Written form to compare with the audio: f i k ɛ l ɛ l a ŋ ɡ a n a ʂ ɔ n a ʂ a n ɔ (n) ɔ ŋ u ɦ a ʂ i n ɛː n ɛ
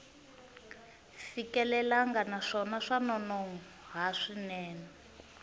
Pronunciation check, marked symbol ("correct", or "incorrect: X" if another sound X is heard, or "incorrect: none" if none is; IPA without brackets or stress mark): correct